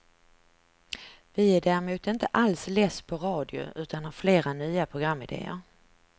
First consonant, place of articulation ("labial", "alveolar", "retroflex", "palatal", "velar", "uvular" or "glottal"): labial